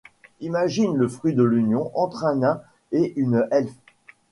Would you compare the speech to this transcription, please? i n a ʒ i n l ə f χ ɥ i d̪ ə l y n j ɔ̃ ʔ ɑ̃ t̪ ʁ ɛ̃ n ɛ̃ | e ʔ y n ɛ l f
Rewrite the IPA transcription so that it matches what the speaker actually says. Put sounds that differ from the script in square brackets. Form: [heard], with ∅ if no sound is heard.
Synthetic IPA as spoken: i [m] a ʒ i n l ə f χ ɥ i d̪ ə l y n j ɔ̃ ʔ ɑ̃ t̪ [χ] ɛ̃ n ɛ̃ | e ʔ y n ɛ l f

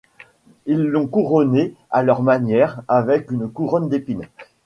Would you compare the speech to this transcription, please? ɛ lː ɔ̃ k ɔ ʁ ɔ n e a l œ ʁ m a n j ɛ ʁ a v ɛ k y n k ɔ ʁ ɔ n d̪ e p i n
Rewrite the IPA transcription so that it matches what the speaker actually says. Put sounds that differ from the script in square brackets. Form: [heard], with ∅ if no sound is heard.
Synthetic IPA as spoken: [i] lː ɔ̃ k [u] ʁ ɔ n e a l œ ʁ m a n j ɛ ʁ a v ɛ k y n k [u] ʁ ɔ n d̪ e p i n

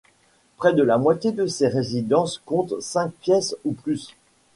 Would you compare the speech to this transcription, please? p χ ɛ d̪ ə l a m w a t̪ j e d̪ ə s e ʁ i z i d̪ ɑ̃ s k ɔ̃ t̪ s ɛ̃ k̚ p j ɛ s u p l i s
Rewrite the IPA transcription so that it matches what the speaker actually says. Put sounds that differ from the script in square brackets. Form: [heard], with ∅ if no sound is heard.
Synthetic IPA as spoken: p χ ɛ d̪ ə l a m w a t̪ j e d̪ ə s e ʁ [e] z i d̪ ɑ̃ s k ɔ̃ t̪ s ɛ̃ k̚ p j ɛ s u p l [y] s

